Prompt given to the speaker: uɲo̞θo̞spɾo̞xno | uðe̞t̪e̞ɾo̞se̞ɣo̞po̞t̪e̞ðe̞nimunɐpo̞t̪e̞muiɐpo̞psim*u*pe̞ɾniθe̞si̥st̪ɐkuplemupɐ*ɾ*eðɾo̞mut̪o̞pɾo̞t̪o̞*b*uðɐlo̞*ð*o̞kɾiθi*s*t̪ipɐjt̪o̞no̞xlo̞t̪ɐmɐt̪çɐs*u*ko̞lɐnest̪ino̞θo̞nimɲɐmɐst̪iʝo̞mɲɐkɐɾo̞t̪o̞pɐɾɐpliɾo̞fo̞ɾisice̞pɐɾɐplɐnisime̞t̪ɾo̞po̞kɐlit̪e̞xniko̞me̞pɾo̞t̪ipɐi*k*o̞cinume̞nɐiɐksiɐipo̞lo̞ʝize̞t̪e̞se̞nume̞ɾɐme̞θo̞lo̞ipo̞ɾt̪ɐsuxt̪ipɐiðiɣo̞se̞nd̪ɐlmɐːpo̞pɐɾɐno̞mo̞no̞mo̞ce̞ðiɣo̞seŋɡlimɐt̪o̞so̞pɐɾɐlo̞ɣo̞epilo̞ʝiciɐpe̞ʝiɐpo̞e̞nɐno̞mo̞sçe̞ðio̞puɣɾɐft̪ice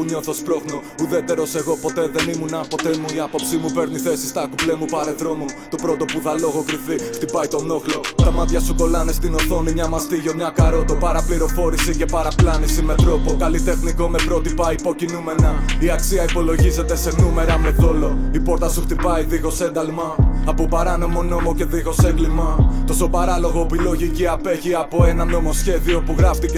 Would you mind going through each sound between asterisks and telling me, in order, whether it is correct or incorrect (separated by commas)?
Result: correct, correct, incorrect, incorrect, incorrect, correct, incorrect